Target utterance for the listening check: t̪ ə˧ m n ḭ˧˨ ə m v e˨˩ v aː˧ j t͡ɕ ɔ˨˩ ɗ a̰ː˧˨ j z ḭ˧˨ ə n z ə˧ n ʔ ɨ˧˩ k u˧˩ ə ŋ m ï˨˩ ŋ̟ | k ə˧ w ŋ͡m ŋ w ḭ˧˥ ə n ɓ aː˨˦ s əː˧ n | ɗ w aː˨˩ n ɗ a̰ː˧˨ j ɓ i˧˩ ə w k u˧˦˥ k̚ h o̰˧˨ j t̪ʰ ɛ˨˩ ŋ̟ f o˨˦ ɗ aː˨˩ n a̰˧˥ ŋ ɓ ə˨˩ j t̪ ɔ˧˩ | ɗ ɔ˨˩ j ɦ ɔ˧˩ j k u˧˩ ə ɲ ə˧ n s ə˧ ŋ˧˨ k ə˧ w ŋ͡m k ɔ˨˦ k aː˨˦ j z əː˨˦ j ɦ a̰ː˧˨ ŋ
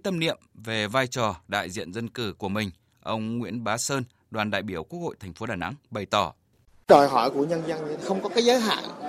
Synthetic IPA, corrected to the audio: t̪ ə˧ m n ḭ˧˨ ə m v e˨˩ v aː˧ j t͡ɕ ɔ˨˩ ɗ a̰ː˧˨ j z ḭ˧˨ ə n z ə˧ n k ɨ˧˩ k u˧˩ ə m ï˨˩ ŋ̟ | ʔ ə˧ w ŋ͡m ŋ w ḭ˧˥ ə n ɓ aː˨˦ s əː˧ n | ɗ w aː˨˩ n ɗ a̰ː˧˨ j ɓ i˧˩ ə w k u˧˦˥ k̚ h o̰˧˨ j t̪ʰ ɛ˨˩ ŋ̟ f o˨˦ ɗ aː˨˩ n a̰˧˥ ŋ ɓ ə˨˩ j t̪ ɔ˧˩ | ɗ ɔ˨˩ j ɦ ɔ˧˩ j k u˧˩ ə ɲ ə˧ n z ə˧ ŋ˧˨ x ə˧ w ŋ͡m k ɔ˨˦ k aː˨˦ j z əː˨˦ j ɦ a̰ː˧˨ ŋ